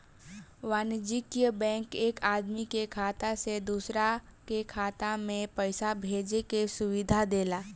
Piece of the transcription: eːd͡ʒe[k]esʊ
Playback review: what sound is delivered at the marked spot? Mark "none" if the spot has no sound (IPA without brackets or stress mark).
k